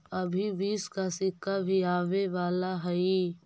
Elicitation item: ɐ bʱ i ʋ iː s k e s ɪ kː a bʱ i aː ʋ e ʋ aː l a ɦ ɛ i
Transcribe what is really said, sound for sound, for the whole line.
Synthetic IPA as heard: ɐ bʱ i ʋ iː s k a s ɪ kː a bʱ i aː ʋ e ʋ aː l a ɦ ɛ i